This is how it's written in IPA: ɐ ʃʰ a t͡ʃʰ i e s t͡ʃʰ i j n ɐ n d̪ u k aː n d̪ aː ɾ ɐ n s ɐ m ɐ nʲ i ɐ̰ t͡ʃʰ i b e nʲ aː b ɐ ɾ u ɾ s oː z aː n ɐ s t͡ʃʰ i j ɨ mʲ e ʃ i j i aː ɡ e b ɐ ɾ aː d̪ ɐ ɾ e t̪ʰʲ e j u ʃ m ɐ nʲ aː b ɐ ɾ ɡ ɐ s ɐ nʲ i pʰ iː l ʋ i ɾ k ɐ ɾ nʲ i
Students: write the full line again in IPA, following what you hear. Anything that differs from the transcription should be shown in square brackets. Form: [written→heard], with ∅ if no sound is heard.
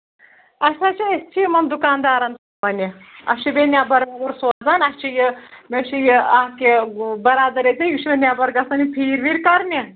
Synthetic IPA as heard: ɐ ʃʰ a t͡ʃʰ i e s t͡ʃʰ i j [n→m] ɐ n d̪ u k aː n d̪ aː ɾ ɐ n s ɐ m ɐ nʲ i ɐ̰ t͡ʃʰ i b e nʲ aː b ɐ ɾ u ɾ s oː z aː n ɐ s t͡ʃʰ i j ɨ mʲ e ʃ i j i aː [ɡ→k] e b ɐ ɾ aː d̪ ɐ ɾ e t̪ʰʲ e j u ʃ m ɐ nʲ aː b ɐ ɾ ɡ ɐ s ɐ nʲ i pʰ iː [l→ɾ] ʋ i ɾ k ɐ ɾ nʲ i

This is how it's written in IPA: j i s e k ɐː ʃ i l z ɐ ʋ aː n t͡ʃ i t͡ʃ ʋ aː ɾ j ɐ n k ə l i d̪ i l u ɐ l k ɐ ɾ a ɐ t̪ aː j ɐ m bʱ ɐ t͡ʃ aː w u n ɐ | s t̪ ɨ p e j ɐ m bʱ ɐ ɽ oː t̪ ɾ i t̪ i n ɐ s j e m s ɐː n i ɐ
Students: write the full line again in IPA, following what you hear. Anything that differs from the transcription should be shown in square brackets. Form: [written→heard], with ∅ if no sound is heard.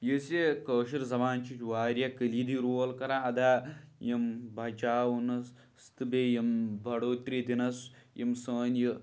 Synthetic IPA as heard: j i s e k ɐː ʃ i [l→ɾ] z ɐ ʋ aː n t͡ʃ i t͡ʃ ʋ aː ɾ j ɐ [n→∅] k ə l i d̪ i [l→ɾ] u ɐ l k ɐ ɾ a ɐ [t̪→d̪] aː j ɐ m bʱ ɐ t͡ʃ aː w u n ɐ | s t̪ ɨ [p→b] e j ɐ m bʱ ɐ ɽ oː t̪ ɾ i [t̪→d̪] i n ɐ s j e m s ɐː n [i→j] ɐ

